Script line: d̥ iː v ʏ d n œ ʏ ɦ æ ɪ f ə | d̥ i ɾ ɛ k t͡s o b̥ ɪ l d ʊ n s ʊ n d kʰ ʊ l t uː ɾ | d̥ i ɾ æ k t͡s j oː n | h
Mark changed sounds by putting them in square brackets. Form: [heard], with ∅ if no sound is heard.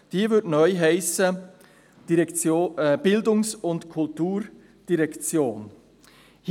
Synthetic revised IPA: d̥ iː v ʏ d n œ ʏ ɦ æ ɪ [s] ə | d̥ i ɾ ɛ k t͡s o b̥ ɪ l d ʊ [ŋ] s ʊ n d kʰ ʊ l t uː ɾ | d̥ i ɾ [ɛ] k t͡s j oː n | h